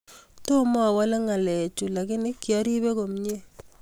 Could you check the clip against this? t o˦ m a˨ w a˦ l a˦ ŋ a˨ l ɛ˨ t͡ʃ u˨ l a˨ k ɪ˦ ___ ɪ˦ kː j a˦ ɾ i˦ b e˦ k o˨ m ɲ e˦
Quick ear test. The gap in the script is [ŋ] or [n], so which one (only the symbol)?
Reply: n